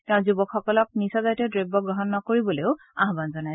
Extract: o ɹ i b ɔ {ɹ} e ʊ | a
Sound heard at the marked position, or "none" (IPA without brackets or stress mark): l